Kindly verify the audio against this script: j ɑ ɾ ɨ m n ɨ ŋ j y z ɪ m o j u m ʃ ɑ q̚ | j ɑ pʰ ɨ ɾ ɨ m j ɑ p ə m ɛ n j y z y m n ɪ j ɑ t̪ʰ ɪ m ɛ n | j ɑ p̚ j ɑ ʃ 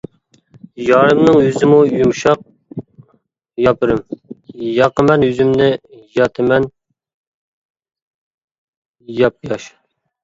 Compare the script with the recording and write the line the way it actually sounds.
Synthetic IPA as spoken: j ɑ ɾ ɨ m n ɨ ŋ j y z ɪ m u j u m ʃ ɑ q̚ | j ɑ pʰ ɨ ɾ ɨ m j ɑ q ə m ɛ n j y z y m n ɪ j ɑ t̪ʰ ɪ m ɛ n | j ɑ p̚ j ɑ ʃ